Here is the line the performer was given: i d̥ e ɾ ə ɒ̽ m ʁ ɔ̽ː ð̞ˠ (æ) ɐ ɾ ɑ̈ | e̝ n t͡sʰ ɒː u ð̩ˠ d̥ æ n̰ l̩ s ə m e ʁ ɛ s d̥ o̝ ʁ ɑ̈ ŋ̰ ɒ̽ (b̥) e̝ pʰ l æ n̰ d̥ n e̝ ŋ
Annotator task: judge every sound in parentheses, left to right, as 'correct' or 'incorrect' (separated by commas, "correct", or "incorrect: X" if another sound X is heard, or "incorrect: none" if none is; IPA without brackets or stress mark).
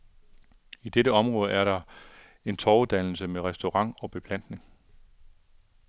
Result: correct, correct